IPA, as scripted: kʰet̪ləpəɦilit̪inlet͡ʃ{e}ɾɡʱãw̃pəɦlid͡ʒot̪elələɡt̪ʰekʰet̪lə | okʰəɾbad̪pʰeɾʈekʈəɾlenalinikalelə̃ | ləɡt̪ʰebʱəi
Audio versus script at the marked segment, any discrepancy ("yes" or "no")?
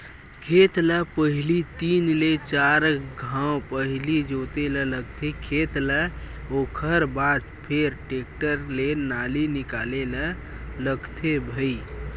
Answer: yes